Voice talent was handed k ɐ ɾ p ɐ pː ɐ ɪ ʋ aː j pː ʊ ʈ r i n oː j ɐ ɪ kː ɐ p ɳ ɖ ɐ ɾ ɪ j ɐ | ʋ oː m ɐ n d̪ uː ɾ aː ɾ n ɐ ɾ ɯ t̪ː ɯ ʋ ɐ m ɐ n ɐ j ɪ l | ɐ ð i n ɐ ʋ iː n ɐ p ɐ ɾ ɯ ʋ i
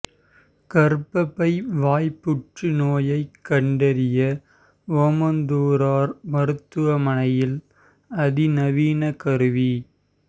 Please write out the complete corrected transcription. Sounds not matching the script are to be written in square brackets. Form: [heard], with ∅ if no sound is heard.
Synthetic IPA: k ɐ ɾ p ɐ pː ɐ ɪ ʋ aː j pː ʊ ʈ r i n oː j ɐ ɪ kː ɐ [∅] ɳ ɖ ɐ ɾ ɪ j ɐ | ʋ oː m ɐ n d̪ uː ɾ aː ɾ [m] ɐ ɾ ɯ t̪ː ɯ ʋ ɐ m ɐ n ɐ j ɪ l | ɐ ð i n ɐ ʋ iː n ɐ [k] ɐ ɾ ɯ ʋ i